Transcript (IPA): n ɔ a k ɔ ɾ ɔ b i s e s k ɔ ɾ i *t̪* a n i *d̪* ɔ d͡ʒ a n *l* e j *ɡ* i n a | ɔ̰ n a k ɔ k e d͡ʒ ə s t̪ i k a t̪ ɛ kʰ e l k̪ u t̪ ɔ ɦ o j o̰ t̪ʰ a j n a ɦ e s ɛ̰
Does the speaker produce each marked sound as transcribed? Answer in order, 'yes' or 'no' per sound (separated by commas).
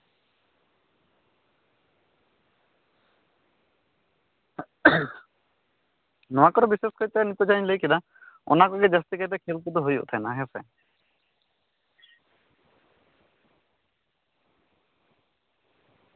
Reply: yes, no, yes, no